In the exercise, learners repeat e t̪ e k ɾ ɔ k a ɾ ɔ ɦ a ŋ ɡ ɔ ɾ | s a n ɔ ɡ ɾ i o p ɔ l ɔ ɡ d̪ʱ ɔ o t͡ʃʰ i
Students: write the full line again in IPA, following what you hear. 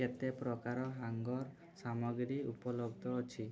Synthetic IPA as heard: e t̪ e p ɾ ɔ k a ɾ ɔ ɦ a ŋ ɡ ɔ ɾ | s a m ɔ ɡ ɾ i u p ɔ l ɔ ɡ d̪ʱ ɔ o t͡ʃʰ i